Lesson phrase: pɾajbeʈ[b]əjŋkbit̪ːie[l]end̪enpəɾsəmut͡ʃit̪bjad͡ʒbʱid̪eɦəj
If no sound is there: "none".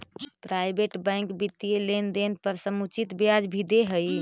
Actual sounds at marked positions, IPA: b, l

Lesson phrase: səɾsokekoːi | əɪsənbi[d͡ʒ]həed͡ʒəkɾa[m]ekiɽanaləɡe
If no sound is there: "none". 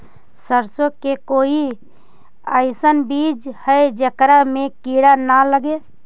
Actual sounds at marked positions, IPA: d͡ʒ, m

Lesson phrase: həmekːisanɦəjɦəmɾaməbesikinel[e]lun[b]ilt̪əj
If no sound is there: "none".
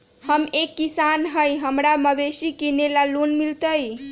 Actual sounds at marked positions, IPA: a, m

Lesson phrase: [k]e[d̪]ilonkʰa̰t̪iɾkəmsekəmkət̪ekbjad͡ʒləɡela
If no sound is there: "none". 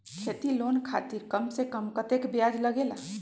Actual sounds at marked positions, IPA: kʰ, t̪

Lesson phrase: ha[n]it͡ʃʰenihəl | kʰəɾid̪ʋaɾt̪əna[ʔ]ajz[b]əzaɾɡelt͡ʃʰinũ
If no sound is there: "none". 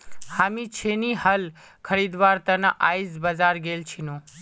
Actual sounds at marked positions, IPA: m, ʔ, b

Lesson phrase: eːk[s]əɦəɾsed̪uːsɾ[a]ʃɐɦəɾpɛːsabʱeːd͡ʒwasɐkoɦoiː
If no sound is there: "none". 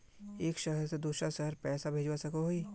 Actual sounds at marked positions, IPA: ʃ, a

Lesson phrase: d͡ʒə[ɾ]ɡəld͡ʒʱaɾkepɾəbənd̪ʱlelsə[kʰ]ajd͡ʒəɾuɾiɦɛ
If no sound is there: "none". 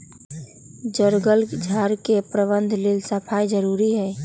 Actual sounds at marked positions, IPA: ɾ, pʰ

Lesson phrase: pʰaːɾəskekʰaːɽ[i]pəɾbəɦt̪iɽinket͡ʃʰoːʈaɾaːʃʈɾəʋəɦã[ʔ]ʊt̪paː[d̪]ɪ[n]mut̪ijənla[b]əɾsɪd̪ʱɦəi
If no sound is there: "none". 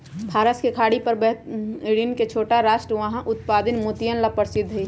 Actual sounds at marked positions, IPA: i, ʔ, d̪, n, p

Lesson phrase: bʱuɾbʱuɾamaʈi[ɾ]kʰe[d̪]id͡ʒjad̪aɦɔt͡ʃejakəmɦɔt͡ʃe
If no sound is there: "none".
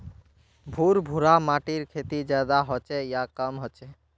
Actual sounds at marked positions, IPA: ɾ, t̪

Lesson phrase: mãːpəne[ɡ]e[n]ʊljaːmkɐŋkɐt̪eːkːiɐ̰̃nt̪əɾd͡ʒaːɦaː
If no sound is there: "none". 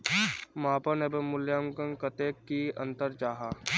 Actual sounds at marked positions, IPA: b, m

